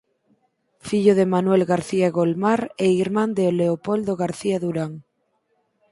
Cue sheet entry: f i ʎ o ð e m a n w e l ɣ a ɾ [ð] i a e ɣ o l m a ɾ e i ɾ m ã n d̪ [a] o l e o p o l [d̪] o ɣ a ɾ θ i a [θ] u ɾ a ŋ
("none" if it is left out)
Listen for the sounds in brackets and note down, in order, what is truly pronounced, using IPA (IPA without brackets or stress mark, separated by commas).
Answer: θ, e, d̪, ð